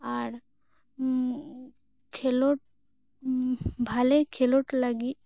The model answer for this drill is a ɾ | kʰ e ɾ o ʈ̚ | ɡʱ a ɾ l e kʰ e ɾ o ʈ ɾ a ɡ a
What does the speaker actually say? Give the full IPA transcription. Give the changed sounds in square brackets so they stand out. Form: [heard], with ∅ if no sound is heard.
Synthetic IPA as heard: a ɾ | kʰ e [l] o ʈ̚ | [bʱ] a [∅] l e kʰ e [l] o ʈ [l] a ɡ [i]